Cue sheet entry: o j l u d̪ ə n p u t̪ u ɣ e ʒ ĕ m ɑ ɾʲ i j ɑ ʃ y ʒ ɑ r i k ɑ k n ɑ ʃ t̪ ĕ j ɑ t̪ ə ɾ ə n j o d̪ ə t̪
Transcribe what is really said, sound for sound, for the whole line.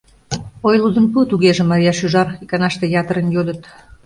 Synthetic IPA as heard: o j l u d̪ ə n p u t̪ u ɣ e ʒ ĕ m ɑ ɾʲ i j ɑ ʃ y ʒ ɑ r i k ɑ n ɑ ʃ t̪ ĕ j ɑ t̪ ə ɾ ə n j o d̪ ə t̪